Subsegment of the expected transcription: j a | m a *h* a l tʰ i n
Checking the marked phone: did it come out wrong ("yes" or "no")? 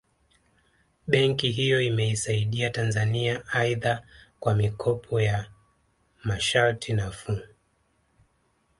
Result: yes